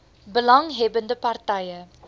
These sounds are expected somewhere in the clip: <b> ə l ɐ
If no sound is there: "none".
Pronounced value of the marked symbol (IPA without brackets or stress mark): b